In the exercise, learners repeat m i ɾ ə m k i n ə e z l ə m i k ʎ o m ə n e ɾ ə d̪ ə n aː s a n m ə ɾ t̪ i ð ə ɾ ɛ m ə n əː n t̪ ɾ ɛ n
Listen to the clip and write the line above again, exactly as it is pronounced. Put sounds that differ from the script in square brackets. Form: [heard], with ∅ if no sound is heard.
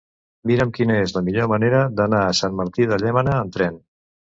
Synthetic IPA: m i ɾ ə m k i n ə e z l ə m i [∅] ʎ o m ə n e ɾ ə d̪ ə n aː s a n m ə ɾ t̪ i ð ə [ʎ] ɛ m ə n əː n t̪ ɾ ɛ n